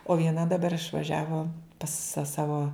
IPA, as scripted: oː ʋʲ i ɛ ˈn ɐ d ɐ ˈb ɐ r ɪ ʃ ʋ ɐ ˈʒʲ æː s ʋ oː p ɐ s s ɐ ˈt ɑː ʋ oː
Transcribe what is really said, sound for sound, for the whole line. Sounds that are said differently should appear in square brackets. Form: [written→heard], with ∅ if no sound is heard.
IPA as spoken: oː ʋʲ i ɛ ˈn ɐ d ɐ ˈb ɐ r ɪ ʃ ʋ ɐ ˈʒʲ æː [s→∅] ʋ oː p ɐ s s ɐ [ˈt→ˈs] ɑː ʋ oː